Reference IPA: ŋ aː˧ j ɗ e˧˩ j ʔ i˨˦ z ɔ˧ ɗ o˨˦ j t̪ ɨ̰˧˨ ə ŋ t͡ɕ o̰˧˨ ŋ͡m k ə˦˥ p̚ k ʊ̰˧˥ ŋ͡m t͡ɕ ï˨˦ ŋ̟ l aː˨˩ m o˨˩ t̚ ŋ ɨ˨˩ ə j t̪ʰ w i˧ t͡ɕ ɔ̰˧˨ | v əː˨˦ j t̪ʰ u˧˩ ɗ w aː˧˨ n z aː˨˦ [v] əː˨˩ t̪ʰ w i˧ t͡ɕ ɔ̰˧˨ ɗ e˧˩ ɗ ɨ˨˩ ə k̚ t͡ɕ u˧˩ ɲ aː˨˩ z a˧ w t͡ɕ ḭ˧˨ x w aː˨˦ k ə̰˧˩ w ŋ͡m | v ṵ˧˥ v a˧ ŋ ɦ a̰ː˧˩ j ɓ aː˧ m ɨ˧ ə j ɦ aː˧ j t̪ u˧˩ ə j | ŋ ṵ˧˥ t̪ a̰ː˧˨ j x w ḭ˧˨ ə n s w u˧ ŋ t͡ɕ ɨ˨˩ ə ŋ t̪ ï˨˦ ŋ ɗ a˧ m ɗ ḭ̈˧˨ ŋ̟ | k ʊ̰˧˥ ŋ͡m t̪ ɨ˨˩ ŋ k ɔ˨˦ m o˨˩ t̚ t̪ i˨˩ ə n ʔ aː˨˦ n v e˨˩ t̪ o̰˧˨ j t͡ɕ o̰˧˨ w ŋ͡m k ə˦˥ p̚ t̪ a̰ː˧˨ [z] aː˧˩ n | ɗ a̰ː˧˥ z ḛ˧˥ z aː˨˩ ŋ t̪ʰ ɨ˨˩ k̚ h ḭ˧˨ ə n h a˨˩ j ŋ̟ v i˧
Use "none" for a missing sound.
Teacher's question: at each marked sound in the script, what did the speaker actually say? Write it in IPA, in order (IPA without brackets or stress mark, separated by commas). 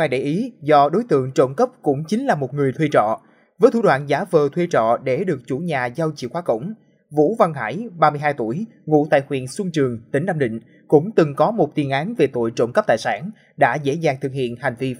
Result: v, s